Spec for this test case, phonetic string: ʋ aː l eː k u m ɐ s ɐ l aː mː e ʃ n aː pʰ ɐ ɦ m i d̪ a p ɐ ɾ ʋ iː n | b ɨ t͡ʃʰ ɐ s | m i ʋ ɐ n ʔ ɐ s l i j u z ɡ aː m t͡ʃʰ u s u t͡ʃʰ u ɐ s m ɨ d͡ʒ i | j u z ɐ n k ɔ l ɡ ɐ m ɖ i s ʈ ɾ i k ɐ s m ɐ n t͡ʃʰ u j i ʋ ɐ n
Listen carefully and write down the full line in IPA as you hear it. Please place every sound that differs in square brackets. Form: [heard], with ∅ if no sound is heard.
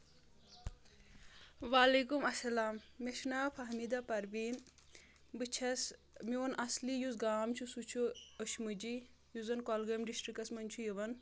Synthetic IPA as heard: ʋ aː l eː k u m ɐ s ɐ l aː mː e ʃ n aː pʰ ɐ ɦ m i d̪ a p ɐ ɾ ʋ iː n | b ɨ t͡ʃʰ ɐ s | m i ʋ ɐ n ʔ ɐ s l i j u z ɡ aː m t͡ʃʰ u s u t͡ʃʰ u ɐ [ʃ] m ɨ d͡ʒ i | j u z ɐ n k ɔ l ɡ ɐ m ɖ i s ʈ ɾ i k ɐ s m ɐ n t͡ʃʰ u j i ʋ ɐ n